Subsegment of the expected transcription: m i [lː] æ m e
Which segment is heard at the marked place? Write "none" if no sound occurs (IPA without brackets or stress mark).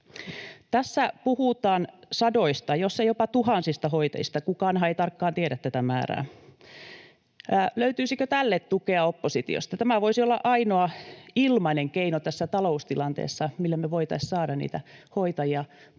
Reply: lː